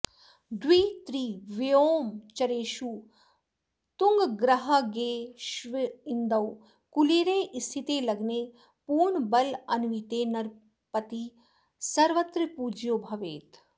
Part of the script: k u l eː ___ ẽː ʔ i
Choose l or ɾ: ɾ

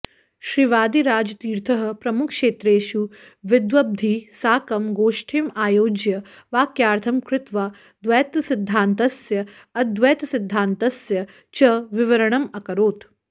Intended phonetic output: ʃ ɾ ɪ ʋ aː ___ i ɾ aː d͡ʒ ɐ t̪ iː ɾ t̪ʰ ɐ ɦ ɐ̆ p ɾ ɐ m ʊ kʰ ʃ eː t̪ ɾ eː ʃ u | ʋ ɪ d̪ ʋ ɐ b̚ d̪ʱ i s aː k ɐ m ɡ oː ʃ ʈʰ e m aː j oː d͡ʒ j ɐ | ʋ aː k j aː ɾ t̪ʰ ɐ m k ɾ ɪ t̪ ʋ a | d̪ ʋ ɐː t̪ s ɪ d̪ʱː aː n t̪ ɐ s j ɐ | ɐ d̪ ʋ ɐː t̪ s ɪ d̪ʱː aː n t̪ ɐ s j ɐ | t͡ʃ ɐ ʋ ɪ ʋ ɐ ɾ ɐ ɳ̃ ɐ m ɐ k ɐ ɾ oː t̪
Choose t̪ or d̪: d̪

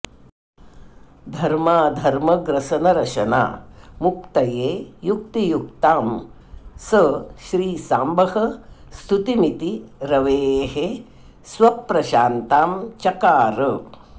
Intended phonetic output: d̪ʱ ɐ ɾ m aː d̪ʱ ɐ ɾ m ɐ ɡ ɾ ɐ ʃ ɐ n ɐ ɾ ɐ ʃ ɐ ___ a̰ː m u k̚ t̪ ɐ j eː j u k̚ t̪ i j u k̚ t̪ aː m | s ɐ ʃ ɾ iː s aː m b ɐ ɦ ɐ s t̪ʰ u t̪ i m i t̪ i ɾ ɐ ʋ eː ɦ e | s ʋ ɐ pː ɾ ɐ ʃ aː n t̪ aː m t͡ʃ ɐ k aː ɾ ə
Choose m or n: n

